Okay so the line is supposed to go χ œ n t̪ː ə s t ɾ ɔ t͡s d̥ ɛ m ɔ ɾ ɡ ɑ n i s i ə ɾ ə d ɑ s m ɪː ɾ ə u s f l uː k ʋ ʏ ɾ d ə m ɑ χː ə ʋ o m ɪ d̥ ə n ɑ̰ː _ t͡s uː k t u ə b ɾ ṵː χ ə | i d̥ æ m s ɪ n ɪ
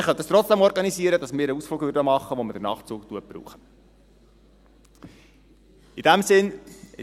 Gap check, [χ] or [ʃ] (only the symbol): χ